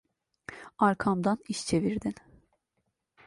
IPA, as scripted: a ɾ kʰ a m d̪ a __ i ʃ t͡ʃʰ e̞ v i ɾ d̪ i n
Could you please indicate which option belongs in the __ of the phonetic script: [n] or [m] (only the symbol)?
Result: n